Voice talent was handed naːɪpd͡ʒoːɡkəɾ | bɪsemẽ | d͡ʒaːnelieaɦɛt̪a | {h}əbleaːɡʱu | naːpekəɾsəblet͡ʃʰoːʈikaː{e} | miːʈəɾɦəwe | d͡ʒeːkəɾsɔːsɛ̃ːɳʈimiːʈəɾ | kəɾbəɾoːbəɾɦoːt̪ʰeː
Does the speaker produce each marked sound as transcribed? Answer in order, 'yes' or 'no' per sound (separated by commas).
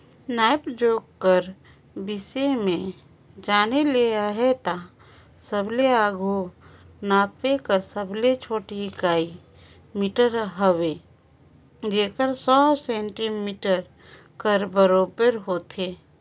no, no